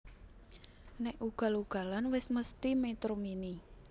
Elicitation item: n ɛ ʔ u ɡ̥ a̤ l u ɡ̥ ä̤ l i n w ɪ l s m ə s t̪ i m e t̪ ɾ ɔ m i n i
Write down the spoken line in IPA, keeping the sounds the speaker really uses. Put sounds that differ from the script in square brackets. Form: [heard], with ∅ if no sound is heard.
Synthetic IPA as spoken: n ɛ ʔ u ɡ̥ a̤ l u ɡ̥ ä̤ l [a] n w ɪ [∅] s m ə s t̪ i m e t̪ ɾ [o] m i n i